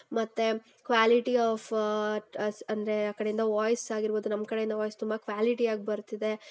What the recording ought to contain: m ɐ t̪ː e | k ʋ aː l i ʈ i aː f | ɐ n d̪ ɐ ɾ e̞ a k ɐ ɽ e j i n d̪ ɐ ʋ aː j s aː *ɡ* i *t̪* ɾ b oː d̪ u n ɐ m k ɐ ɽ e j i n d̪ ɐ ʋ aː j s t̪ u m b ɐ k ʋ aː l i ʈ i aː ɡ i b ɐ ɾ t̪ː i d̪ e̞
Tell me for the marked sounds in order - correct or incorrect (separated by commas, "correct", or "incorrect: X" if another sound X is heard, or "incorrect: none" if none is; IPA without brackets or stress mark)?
correct, incorrect: none